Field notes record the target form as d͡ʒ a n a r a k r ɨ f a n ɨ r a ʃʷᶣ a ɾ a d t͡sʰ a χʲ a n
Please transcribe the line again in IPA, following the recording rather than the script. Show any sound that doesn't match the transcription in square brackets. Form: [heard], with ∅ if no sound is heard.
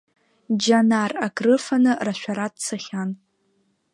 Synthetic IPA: d͡ʒ a n a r a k r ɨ f a n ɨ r a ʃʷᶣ a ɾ a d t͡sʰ a χʲ a n